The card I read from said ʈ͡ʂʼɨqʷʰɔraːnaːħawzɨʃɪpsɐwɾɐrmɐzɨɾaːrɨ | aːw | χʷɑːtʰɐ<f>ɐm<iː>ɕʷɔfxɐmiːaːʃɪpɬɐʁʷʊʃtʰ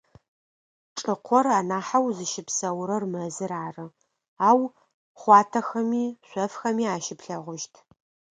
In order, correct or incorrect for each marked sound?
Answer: incorrect: x, correct

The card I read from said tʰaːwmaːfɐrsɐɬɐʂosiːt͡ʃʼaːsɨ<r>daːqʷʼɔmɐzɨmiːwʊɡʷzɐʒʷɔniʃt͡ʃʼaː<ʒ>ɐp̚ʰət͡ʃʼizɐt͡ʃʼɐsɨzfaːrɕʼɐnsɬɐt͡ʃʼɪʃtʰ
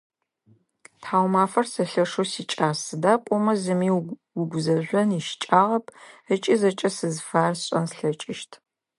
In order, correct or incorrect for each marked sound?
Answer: incorrect: none, incorrect: ʁ

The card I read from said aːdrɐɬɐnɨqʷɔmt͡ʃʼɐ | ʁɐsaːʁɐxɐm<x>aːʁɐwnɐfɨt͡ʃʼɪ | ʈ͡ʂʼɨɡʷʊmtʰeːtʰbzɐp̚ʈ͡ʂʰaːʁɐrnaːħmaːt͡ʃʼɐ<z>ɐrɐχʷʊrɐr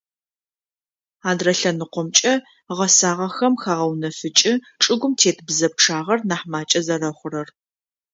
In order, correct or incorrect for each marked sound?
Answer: correct, correct

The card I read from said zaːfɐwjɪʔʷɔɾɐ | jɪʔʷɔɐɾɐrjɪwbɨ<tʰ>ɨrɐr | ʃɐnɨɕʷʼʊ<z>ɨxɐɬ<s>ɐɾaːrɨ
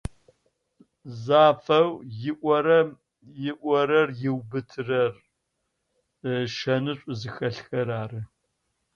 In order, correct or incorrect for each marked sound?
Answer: correct, correct, incorrect: x

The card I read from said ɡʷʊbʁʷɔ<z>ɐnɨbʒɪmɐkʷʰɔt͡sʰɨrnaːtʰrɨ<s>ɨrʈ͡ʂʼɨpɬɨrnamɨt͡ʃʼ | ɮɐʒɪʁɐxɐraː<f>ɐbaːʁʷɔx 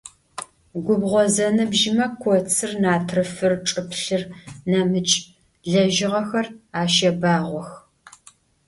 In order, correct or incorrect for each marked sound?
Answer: correct, incorrect: f, incorrect: ʃ

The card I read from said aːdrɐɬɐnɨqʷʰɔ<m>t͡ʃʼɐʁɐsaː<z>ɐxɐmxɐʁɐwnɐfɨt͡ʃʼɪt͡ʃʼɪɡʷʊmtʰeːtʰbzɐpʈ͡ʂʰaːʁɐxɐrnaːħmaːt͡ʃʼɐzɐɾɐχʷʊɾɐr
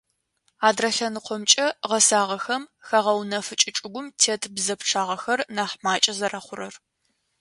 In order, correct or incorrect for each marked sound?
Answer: correct, incorrect: ʁ

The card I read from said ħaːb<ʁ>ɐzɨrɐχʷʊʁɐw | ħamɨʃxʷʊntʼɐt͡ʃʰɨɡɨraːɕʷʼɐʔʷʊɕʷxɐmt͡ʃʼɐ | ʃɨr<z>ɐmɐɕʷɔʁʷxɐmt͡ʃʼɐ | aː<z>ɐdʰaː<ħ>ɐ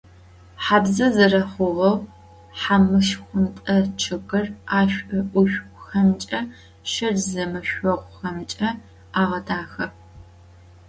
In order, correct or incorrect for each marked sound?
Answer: incorrect: z, correct, incorrect: ʁ, incorrect: x

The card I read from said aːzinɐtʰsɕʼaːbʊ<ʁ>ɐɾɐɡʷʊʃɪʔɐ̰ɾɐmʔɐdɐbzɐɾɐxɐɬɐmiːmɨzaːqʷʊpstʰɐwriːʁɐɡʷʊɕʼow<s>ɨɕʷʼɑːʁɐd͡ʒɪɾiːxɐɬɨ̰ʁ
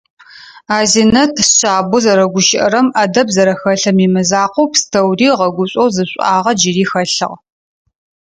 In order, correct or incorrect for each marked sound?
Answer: incorrect: z, incorrect: z

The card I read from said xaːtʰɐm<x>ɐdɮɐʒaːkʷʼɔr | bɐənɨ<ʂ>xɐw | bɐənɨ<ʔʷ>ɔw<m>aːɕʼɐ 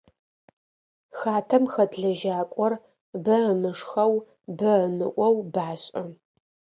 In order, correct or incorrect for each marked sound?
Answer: correct, correct, correct, incorrect: b

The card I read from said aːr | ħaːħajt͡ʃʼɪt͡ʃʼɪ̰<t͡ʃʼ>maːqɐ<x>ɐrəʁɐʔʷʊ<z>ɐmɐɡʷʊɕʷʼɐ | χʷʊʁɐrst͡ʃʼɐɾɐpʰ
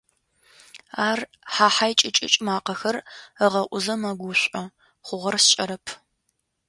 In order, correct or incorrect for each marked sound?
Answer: correct, correct, correct

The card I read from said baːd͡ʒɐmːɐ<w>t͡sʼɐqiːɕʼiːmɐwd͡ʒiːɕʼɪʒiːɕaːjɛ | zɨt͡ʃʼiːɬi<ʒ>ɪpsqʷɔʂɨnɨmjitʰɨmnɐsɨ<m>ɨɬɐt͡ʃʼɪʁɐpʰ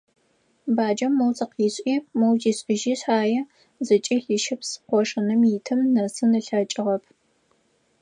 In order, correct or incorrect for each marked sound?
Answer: correct, incorrect: ʃ, incorrect: n

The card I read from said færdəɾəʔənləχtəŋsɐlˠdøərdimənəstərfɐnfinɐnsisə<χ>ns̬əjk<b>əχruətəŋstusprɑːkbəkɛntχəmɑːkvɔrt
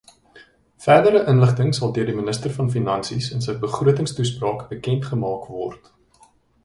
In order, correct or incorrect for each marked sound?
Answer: incorrect: none, correct

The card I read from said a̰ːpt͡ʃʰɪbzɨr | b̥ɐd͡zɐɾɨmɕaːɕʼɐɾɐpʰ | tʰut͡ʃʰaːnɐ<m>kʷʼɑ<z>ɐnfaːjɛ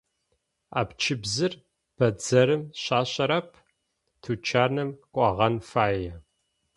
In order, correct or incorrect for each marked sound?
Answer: correct, incorrect: ʁ

